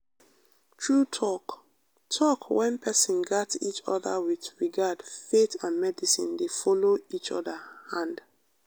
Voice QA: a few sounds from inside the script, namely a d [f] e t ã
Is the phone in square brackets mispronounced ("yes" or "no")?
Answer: no